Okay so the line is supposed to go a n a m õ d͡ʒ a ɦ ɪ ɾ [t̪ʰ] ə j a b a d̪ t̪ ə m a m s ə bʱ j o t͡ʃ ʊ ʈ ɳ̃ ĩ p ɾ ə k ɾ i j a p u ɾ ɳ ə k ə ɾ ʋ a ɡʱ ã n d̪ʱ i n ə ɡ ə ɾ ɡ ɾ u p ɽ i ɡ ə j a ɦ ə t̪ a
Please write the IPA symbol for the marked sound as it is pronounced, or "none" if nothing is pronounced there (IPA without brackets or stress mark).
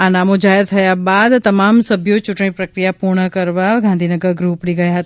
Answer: t̪ʰ